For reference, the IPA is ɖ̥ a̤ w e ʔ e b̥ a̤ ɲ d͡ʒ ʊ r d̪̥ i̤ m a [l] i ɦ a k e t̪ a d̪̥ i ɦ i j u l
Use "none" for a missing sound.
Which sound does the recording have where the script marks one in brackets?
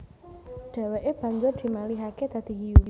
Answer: l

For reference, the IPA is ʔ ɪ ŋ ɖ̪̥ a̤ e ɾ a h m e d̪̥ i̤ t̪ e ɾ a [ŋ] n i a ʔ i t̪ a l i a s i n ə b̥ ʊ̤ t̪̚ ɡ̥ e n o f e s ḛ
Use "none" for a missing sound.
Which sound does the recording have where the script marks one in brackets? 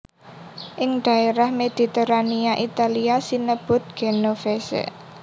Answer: none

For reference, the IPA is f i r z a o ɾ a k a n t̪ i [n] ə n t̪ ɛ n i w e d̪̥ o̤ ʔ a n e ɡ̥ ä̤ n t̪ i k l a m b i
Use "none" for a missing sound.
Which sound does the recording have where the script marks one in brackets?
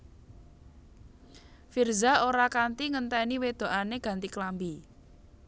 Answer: ŋ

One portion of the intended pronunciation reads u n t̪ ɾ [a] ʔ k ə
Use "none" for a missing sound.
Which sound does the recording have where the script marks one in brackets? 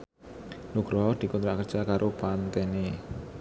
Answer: a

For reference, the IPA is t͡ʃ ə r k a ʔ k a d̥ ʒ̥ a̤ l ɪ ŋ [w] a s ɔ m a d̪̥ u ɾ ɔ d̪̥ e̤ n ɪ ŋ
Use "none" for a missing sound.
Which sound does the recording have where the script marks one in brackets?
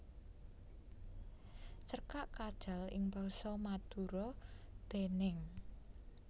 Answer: b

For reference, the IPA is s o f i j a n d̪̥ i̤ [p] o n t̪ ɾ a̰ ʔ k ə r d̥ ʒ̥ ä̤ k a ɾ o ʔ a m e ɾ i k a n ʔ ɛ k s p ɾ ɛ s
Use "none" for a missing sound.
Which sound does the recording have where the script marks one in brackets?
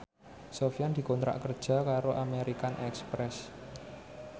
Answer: k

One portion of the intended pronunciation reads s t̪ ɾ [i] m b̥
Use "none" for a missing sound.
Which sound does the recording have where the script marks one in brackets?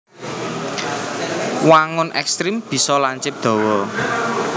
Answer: i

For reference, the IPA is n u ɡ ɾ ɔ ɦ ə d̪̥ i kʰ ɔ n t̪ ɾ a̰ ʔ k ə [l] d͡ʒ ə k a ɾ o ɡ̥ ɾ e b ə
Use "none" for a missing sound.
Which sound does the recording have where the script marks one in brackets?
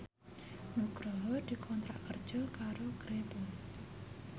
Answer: r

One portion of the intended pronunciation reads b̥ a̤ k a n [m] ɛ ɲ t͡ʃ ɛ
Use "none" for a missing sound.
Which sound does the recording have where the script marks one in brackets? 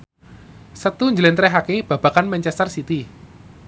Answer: m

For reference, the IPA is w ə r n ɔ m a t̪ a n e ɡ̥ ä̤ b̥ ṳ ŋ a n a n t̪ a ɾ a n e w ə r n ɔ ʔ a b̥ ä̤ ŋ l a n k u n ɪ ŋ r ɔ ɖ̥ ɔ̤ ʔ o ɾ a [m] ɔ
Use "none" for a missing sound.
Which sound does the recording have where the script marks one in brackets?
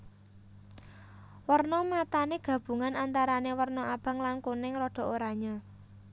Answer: ɲ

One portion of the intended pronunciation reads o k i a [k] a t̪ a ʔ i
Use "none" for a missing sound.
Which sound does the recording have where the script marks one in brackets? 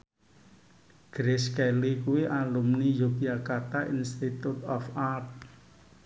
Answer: k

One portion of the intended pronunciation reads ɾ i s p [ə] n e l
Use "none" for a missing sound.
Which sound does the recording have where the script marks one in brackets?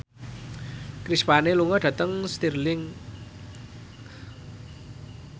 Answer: a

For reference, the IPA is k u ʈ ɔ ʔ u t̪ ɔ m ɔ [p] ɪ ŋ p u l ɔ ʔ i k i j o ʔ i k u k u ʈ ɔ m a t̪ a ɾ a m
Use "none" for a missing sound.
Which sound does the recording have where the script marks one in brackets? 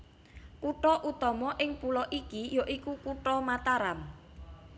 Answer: ʔ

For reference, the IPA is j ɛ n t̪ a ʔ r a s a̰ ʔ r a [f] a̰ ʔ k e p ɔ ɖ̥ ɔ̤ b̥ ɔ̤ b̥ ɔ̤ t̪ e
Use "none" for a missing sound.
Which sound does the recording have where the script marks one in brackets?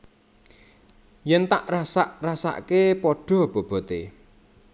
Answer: s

